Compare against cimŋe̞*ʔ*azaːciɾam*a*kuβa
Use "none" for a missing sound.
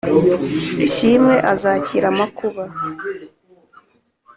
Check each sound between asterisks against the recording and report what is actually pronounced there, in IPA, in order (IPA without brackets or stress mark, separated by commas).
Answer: ʔ, a